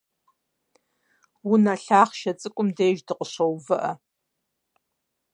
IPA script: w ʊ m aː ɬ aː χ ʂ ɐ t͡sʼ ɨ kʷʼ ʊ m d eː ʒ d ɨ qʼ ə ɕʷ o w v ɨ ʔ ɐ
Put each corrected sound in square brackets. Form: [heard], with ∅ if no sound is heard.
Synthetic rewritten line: w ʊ [n] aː ɬ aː χ [ʃ] ɐ t͡sʼ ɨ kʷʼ ʊ m d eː ʒ d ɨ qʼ ə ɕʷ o w v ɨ ʔ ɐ